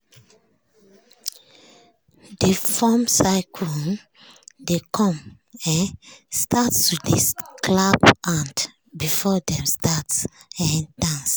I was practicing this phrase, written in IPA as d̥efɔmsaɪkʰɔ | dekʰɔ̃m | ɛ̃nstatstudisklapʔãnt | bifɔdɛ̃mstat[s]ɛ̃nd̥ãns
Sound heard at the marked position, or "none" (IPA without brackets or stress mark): s